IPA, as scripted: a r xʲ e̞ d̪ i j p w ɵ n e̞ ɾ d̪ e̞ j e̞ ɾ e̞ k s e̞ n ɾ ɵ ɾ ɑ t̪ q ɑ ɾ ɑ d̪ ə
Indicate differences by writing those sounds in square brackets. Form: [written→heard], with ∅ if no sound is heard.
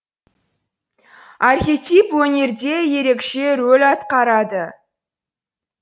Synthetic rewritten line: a r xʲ e̞ [d̪→t̪] i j p w ɵ n e̞ ɾ d̪ e̞ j e̞ ɾ e̞ k [s→ʃ] e̞ [n→∅] ɾ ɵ [ɾ→l] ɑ t̪ q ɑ ɾ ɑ d̪ ə